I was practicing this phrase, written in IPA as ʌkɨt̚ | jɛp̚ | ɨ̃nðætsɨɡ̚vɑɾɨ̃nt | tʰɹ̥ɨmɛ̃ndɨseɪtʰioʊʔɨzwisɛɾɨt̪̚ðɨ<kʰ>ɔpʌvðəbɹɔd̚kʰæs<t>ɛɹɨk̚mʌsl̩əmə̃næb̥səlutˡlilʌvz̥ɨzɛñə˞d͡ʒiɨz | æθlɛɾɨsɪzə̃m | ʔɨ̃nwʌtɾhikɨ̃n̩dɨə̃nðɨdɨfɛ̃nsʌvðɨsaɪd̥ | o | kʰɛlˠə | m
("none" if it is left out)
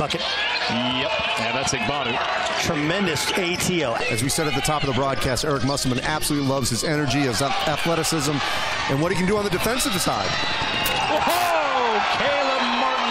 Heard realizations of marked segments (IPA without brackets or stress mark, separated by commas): tʰ, t